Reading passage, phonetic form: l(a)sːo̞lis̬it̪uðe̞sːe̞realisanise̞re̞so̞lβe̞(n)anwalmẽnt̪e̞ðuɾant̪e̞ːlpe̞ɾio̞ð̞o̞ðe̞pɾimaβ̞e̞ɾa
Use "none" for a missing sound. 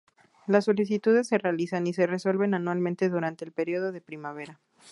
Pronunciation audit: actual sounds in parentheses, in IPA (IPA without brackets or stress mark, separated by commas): a, n